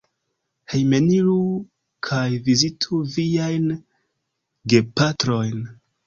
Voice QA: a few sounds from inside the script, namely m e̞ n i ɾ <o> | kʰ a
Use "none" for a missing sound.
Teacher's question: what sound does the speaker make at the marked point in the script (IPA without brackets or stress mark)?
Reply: u